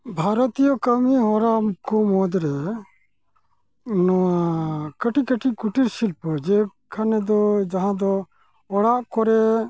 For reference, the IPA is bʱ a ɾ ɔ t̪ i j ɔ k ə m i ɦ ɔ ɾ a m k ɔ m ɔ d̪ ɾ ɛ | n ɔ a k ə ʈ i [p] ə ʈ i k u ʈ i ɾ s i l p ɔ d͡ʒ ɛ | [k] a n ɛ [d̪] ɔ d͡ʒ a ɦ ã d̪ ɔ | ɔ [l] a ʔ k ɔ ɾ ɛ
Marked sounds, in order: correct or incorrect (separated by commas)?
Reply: incorrect, incorrect, correct, incorrect